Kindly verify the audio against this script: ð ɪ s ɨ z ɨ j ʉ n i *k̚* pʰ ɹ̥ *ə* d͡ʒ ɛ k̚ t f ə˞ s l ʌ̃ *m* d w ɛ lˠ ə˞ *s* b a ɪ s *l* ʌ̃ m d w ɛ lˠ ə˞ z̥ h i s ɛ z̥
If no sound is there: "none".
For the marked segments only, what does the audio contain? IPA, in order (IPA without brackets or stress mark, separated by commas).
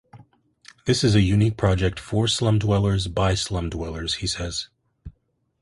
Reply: k̚, ɑ, m, z, l